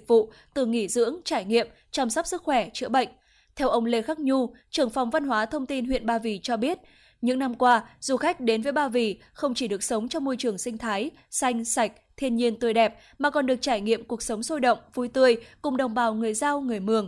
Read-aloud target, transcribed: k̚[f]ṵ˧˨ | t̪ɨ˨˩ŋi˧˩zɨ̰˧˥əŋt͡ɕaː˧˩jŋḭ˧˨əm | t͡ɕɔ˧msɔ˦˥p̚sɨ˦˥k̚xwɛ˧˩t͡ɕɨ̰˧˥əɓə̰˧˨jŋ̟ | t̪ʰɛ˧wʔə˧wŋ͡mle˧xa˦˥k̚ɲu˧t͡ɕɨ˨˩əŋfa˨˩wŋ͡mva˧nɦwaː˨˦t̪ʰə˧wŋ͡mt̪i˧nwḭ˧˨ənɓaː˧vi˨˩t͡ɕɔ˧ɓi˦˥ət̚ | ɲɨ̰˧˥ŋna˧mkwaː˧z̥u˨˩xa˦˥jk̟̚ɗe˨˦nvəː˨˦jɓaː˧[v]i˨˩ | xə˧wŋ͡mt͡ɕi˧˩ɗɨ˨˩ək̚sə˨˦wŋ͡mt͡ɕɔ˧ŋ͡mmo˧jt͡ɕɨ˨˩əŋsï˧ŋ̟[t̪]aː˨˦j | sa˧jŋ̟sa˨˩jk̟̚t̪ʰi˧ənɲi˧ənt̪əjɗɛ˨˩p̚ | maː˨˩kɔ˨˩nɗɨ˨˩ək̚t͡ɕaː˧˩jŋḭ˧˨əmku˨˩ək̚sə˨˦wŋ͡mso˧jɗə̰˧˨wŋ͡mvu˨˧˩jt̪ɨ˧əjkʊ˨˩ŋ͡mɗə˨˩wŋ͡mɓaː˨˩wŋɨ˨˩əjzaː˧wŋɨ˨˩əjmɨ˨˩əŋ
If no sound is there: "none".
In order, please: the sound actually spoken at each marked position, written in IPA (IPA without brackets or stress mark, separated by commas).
v, v, t̪ʰ